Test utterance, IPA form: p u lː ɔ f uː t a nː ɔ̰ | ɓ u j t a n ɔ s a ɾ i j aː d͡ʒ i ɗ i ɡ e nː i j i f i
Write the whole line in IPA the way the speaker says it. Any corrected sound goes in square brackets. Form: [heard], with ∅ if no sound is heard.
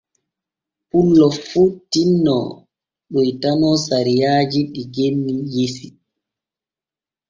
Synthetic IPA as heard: p u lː ɔ f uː t [i] nː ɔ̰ | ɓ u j t a n ɔ s a ɾ i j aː d͡ʒ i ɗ i ɡ e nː i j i [s] i